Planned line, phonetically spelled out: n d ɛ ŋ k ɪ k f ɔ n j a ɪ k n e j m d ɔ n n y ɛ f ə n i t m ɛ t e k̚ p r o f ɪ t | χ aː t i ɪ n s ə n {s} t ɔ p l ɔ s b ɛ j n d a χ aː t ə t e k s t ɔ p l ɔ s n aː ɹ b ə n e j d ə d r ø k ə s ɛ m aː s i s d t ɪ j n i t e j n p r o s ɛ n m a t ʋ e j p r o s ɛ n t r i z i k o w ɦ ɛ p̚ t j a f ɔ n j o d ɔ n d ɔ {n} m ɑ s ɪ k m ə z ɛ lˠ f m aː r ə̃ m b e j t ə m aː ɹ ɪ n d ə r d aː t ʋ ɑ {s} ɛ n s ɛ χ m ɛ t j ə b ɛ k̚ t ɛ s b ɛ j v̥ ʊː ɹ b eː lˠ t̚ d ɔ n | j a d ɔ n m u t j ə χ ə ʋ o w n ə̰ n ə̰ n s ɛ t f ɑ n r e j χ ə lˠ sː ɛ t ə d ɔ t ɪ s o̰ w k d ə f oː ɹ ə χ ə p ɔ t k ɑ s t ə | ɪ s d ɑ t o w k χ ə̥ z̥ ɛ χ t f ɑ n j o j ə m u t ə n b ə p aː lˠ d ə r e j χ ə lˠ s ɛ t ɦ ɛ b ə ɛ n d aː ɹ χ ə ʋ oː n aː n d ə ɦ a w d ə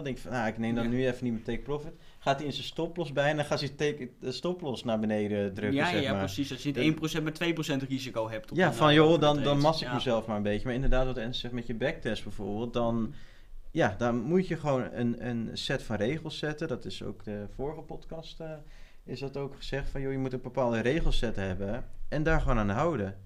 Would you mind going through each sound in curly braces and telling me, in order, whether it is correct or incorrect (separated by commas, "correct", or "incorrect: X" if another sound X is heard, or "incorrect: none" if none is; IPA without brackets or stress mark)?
correct, correct, incorrect: t